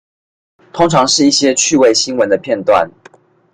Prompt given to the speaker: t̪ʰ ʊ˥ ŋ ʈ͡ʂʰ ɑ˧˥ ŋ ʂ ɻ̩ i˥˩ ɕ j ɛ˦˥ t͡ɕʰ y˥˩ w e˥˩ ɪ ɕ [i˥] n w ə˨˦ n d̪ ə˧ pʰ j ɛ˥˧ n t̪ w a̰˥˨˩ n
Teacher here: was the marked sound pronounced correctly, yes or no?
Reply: yes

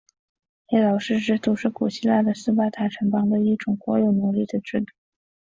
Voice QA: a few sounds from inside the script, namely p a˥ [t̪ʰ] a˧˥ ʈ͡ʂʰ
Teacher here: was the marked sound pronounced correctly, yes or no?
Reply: yes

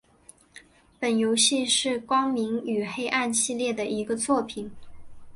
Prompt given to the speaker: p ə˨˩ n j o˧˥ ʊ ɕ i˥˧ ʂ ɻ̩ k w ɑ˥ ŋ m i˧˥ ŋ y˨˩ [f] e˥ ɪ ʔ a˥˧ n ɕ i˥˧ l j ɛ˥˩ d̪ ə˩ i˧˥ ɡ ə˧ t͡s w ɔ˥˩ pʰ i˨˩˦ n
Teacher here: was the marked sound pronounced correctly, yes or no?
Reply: no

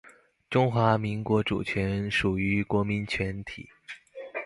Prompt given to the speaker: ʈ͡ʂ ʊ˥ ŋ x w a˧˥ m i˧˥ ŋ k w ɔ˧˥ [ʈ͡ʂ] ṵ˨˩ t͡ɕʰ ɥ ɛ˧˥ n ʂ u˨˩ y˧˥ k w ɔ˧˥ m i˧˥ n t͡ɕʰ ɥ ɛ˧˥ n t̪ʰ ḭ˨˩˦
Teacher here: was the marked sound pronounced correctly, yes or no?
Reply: yes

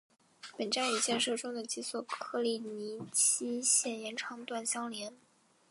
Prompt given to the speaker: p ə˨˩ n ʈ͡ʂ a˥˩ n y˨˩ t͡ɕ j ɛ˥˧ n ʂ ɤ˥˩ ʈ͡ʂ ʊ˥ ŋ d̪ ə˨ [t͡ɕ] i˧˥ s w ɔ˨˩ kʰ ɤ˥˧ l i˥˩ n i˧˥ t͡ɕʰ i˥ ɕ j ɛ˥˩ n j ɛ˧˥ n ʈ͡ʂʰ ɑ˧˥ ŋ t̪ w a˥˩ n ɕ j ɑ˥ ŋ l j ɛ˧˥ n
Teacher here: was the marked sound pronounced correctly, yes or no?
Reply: yes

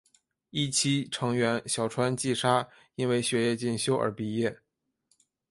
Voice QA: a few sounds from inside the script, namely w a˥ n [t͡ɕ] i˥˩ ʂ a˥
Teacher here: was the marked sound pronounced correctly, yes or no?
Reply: yes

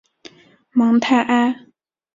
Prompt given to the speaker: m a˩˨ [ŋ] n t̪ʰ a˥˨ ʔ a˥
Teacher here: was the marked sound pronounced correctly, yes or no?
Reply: yes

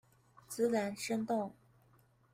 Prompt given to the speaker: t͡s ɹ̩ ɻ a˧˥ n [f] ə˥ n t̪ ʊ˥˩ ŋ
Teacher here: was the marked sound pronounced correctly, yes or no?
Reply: no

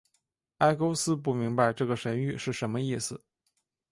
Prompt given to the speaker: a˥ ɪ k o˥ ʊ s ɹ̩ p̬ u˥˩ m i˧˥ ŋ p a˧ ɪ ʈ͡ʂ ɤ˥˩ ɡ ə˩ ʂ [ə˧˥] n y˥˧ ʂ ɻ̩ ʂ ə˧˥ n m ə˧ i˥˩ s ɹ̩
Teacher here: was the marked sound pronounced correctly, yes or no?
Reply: yes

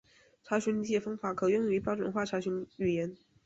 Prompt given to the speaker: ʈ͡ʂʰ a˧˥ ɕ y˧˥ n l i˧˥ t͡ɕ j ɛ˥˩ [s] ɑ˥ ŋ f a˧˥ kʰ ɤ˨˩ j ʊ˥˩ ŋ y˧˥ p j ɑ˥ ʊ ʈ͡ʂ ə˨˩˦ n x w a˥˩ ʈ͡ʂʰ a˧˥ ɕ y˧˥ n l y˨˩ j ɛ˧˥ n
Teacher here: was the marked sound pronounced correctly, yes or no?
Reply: no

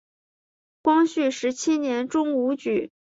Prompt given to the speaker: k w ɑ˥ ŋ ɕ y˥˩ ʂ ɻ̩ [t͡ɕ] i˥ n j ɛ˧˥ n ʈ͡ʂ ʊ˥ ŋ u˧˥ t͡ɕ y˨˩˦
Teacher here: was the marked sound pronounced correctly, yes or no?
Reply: no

